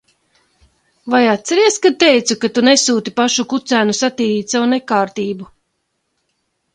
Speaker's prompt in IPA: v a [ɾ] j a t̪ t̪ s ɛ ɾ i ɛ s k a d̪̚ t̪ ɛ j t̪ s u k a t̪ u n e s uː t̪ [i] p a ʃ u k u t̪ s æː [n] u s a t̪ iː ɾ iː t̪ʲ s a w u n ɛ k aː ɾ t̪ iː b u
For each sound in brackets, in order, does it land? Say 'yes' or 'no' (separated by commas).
no, yes, yes